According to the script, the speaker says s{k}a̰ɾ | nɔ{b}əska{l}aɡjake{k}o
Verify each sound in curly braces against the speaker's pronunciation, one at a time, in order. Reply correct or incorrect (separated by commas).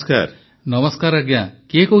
correct, incorrect, incorrect, correct